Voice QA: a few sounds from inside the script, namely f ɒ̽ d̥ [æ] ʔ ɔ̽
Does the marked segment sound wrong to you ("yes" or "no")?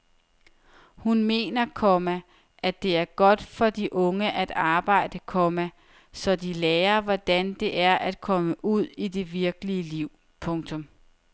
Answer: yes